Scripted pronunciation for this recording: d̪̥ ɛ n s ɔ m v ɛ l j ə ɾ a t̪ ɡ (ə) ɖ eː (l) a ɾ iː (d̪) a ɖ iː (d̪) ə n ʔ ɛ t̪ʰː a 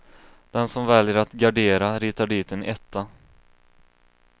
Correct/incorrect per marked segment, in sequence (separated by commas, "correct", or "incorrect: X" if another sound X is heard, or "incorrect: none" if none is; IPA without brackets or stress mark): incorrect: a, incorrect: ɾ, incorrect: t̪, incorrect: t̪